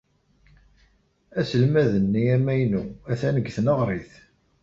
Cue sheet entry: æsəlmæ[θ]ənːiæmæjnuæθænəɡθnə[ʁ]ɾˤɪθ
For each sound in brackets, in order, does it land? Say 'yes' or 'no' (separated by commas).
no, yes